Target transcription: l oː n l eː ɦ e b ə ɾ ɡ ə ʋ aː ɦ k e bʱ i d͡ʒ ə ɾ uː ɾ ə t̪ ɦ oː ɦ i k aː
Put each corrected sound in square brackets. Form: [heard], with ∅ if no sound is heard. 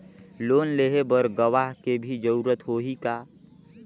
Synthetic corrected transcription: l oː n l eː ɦ e b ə ɾ ɡ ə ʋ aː ɦ k e bʱ i d͡ʒ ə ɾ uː ɾ ə t̪ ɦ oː ɦ i k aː